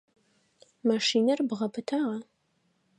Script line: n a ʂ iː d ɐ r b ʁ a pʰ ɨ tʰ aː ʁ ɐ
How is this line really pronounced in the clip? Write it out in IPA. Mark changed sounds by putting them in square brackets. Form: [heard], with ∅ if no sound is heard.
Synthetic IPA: [m] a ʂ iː [n] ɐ r b ʁ [ɐ] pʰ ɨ tʰ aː ʁ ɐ